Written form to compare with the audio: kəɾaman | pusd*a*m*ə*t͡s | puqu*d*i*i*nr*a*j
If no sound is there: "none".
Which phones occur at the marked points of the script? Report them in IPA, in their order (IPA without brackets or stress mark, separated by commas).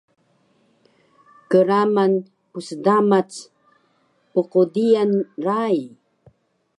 a, a, d, a, a